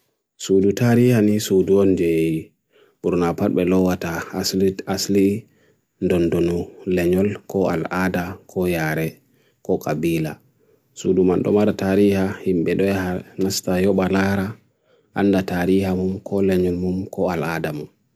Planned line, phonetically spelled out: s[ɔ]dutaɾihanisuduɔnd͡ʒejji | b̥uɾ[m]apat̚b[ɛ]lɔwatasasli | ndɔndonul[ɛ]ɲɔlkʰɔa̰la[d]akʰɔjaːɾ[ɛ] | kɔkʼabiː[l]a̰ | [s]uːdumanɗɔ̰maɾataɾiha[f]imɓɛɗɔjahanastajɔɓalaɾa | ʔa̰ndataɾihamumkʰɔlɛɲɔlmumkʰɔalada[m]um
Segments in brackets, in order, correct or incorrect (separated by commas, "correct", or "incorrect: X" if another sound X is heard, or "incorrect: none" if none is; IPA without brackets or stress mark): incorrect: u, incorrect: n, correct, correct, correct, correct, correct, correct, incorrect: h, correct